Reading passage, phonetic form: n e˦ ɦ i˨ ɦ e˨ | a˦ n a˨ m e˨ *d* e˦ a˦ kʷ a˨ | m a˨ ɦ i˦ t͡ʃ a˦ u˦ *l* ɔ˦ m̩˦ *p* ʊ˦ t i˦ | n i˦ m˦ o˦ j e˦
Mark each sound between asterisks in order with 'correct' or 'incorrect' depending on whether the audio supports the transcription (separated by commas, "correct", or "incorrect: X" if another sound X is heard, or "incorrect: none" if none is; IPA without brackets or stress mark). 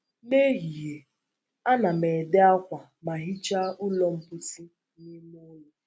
correct, correct, correct